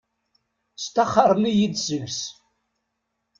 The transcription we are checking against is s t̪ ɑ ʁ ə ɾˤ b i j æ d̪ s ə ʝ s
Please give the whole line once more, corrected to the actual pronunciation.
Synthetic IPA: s t̪ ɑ χ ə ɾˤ m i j i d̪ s ə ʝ s